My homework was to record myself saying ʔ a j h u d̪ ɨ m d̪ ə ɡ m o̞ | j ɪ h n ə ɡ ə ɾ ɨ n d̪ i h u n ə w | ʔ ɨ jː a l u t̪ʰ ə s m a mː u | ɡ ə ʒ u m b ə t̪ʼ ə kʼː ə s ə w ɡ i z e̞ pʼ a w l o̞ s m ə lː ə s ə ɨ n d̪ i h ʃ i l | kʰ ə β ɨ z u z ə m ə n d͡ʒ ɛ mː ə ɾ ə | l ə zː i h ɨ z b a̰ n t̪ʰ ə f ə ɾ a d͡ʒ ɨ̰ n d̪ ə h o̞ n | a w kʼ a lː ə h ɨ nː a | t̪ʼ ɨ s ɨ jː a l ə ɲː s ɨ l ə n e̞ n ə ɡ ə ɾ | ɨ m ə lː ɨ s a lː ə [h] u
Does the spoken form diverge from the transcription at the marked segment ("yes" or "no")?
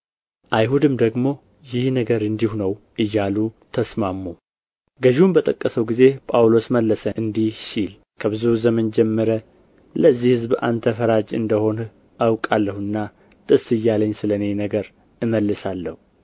no